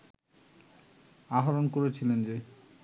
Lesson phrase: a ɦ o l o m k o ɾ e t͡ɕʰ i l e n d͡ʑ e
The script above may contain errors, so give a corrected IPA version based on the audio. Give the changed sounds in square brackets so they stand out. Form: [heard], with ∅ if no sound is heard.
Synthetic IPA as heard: a ɦ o [ɾ] o [n] k o ɾ e t͡ɕʰ i l e n d͡ʑ e